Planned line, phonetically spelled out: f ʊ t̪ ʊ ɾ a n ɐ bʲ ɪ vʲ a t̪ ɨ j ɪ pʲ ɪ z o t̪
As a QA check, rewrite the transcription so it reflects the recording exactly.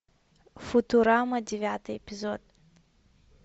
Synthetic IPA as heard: f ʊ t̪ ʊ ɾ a m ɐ dʲ ɪ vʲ a t̪ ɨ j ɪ pʲ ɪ z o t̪

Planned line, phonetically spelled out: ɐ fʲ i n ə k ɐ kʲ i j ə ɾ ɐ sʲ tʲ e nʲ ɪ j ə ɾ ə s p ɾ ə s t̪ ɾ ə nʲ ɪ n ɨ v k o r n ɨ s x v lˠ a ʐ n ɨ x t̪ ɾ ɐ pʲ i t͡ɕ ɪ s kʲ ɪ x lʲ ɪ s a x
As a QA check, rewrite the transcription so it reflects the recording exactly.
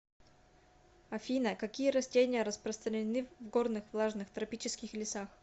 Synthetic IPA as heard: ɐ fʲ i n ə k ɐ kʲ i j ə ɾ ɐ sʲ tʲ e nʲ ɪ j ə ɾ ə s p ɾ ə s t̪ ɾ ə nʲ ɪ n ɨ v ɡ o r n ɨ x v lˠ a ʐ n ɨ x t̪ ɾ ɐ pʲ i t͡ɕ ɪ s kʲ ɪ x lʲ ɪ s a x

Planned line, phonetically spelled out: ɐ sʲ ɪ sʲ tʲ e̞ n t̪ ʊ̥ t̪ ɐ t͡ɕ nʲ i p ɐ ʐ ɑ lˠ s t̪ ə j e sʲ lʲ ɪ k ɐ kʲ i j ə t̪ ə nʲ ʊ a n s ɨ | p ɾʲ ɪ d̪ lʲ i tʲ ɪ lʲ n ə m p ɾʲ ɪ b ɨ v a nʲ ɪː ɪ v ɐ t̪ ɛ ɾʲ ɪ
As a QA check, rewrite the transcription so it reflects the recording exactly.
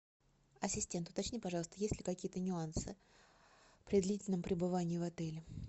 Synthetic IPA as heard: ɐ sʲ ɪ sʲ tʲ e̞ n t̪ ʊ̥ t̪ ɐ t͡ɕ nʲ i p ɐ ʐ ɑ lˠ s t̪ ə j e sʲ lʲ ɪ k ɐ kʲ i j ə t̪ ə nʲ ʊ a n s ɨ | p ɾʲ ɪ d̪ lʲ i tʲ ɪ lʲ n ə m p ɾʲ ɪ b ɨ v a nʲ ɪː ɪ v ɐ t̪ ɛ lʲ ɪ

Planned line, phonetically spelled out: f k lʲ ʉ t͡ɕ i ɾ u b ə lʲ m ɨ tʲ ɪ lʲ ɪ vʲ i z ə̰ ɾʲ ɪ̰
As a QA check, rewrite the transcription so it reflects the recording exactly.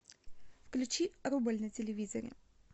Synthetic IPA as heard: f k lʲ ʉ t͡ɕ i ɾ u b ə lʲ n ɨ tʲ ɪ lʲ ɪ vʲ i z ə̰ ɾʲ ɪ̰

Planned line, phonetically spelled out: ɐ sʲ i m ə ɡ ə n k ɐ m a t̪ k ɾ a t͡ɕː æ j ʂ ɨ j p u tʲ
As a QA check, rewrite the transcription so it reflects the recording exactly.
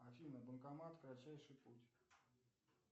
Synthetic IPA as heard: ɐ fʲ i n ə b ə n k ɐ m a t̪ k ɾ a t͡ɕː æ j ʂ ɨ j p u tʲ

